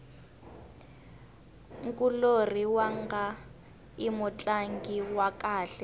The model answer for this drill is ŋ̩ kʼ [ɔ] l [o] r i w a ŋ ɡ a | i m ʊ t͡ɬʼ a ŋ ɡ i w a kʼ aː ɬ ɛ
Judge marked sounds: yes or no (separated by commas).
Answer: no, yes